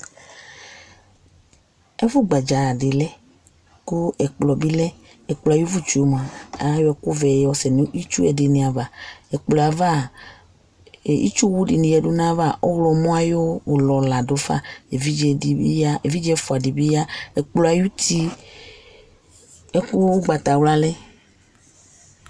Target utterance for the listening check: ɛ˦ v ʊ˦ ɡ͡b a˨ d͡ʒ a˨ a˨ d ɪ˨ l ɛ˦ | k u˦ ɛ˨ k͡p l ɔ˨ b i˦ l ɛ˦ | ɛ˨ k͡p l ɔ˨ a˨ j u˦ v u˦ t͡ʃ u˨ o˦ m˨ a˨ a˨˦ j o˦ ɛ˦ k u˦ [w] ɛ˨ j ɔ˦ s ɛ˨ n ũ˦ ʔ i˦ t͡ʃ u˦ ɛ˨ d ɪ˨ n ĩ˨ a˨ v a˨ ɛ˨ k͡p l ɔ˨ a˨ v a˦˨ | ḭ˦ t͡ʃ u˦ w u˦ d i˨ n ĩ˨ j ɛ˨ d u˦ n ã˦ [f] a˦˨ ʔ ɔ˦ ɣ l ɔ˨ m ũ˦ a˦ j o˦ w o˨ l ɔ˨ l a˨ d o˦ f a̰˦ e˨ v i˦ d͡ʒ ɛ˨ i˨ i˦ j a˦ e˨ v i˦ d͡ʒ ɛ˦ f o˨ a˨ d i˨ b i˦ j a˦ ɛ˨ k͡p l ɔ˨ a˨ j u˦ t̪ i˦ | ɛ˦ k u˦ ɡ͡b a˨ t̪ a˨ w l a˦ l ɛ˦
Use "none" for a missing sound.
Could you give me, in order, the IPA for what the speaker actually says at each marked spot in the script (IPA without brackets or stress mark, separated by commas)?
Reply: v, v